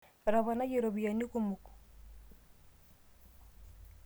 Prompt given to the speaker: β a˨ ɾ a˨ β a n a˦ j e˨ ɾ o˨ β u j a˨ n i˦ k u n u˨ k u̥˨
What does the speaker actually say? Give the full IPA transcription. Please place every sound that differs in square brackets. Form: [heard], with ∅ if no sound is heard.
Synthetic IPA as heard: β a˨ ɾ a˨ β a n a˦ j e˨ ɾ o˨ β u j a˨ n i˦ k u [m] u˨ k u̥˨

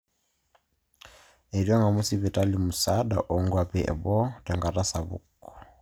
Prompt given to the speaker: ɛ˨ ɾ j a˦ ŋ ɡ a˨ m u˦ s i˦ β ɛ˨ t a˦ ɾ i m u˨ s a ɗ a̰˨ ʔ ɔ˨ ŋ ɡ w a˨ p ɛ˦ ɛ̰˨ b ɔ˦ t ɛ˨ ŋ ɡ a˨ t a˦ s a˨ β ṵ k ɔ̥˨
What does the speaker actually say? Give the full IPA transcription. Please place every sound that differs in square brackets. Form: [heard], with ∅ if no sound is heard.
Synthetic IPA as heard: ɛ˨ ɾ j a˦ ŋ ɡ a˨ m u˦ s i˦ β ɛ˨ t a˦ [l] i m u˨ s a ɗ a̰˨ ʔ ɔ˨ ŋ ɡ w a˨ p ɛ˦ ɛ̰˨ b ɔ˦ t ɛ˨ ŋ ɡ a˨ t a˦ s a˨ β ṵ k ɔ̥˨

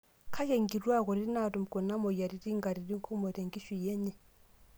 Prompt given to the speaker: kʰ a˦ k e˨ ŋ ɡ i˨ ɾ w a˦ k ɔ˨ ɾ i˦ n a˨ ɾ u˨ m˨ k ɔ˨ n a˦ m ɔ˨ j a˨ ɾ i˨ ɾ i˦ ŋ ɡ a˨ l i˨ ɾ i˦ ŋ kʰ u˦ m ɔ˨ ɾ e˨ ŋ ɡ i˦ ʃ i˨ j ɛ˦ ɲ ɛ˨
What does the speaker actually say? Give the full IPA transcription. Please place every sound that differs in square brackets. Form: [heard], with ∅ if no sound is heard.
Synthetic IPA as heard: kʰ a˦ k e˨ ŋ ɡ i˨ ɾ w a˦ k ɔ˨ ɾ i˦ n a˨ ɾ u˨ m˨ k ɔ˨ n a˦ m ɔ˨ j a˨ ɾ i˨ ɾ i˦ ŋ ɡ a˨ [ɾ] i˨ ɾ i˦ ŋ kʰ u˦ m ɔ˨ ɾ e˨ ŋ ɡ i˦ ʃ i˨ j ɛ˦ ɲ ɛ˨

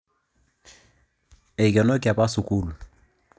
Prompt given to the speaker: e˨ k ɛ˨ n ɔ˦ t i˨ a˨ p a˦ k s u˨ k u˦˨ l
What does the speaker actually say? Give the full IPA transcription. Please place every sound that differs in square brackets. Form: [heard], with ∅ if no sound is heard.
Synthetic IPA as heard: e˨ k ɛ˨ n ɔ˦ [k] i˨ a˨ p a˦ [∅] s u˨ k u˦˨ l

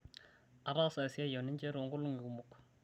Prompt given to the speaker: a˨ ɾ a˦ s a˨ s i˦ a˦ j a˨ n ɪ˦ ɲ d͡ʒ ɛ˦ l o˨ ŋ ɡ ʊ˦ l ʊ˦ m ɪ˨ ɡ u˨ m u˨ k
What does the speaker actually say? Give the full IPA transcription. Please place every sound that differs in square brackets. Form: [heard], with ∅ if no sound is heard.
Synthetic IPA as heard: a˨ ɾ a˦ s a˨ s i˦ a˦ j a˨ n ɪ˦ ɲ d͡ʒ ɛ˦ [ɾ] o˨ ŋ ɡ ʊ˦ l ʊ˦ [ŋ] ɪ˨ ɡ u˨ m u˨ k

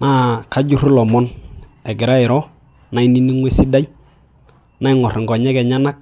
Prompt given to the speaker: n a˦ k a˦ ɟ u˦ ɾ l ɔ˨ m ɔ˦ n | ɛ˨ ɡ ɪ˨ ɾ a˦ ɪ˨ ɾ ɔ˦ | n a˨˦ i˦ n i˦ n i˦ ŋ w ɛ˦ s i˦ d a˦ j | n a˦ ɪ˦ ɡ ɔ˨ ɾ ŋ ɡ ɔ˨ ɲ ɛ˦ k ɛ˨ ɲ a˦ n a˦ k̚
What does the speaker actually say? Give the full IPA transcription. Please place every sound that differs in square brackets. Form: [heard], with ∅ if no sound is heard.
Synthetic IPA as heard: n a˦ k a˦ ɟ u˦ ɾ l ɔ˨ m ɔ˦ n | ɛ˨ ɡ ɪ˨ ɾ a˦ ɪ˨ ɾ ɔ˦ | n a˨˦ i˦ n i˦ n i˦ ŋ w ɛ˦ s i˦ d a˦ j | n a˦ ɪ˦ [ŋ] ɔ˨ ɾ ŋ ɡ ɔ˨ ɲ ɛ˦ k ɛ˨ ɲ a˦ n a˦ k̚

